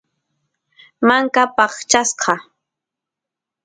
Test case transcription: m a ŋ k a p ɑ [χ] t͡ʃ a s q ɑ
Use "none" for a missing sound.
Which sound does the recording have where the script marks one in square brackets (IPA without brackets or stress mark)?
χ